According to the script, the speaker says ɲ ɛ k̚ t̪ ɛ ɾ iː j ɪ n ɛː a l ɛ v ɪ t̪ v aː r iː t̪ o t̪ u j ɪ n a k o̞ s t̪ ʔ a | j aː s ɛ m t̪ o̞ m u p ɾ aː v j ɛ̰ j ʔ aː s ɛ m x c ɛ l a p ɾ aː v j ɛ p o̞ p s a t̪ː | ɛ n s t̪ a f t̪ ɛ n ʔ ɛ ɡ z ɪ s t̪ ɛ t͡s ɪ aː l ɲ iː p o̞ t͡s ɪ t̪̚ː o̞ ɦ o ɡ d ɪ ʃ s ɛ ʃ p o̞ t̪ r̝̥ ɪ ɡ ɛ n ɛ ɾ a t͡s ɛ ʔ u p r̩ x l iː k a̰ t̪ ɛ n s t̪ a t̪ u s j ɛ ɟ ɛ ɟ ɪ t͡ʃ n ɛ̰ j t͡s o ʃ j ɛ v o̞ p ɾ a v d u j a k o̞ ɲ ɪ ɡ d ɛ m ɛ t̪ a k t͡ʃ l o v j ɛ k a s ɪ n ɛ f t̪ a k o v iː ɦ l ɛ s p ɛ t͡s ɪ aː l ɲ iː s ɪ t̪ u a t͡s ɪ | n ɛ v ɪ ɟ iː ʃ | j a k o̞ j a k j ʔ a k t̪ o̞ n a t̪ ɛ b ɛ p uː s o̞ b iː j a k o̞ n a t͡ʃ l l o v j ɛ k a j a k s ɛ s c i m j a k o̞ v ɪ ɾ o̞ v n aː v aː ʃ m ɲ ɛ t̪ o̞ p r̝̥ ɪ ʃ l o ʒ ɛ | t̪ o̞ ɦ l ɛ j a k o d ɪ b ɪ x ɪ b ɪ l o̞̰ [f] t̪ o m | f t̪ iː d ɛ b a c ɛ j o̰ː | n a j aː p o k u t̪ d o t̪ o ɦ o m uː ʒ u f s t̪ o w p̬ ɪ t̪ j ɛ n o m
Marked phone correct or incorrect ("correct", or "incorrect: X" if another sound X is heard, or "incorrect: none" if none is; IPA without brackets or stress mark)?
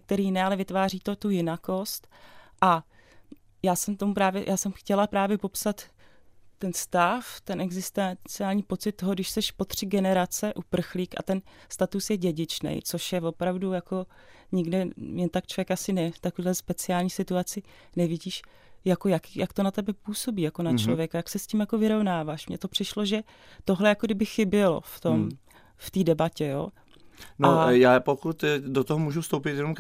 correct